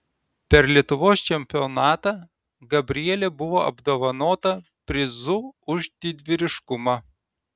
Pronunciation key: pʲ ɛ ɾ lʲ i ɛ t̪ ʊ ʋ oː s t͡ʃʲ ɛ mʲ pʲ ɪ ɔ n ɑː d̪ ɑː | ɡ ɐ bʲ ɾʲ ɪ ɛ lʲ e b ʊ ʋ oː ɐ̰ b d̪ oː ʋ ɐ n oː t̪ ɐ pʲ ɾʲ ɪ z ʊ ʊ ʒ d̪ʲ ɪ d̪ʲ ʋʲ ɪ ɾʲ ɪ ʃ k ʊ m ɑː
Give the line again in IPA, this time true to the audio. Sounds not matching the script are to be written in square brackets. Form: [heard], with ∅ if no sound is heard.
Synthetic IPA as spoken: pʲ ɛ ɾ lʲ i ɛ t̪ ʊ ʋ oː s t͡ʃʲ ɛ mʲ pʲ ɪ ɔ n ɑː [t̪] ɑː | ɡ ɐ bʲ ɾʲ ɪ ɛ lʲ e b ʊ ʋ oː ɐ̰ b d̪ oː ʋ ɐ n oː t̪ ɐ pʲ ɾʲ ɪ z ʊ ʊ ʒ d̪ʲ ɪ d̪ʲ ʋʲ ɪ ɾʲ ɪ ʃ k ʊ m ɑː